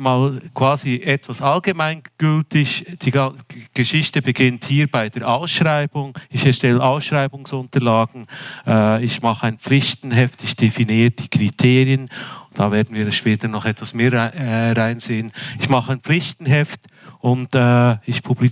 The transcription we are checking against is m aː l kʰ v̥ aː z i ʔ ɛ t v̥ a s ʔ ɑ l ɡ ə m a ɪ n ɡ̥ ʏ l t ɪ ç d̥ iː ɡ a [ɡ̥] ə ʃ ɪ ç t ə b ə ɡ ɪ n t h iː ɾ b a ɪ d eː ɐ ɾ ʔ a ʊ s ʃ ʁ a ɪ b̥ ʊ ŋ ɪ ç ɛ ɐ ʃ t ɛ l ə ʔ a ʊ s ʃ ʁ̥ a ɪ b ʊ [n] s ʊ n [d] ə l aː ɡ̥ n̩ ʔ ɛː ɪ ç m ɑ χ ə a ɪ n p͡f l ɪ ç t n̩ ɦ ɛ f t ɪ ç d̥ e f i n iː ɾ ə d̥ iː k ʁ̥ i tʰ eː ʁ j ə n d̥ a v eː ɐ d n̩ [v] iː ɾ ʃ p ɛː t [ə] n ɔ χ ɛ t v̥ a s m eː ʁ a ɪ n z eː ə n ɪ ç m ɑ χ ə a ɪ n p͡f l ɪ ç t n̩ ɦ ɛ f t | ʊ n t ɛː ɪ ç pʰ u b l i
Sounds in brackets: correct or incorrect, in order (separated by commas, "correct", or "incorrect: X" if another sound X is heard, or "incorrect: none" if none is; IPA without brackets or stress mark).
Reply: correct, incorrect: ŋ, incorrect: t, correct, correct